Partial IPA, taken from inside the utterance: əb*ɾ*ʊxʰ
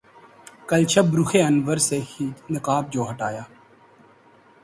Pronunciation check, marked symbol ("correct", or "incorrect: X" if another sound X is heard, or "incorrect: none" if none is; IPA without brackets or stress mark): correct